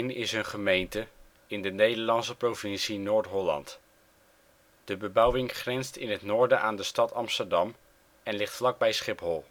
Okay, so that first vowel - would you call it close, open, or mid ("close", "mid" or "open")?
close